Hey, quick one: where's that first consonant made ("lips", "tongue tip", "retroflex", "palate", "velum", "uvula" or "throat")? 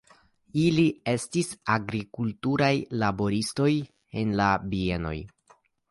tongue tip